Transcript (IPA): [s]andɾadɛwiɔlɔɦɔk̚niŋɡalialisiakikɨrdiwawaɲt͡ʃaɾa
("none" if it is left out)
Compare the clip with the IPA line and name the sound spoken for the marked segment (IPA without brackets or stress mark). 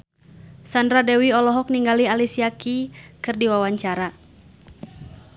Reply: s